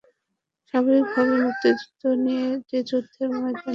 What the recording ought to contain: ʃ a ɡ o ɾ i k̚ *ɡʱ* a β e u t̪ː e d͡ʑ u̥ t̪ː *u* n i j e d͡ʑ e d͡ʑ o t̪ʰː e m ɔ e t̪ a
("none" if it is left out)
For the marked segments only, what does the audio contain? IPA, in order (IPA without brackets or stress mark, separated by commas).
bʱ, o